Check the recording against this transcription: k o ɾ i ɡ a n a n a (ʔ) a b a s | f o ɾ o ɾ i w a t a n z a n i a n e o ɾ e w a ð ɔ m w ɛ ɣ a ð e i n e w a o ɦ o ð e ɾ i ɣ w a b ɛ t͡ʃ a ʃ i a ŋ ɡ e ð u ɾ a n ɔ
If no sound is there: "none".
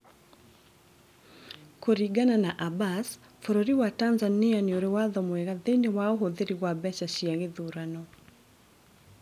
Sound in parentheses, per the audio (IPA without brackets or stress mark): ʔ